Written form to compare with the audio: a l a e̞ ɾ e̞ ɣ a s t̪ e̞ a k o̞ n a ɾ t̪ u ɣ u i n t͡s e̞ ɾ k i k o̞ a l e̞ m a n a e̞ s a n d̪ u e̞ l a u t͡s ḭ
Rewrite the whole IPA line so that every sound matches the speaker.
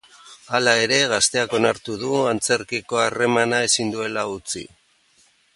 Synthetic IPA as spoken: a l a e̞ ɾ e̞ ɣ a s t̪ e̞ a k o̞ n a ɾ t̪ u ð u a n t͡s e̞ ɾ k i k o̞ a r e̞ m a n a e̞ s i n d̪ u e̞ l a u t͡s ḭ